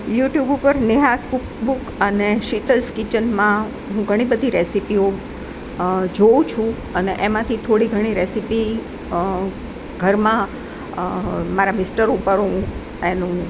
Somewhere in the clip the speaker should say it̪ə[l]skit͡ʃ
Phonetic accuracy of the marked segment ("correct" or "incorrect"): correct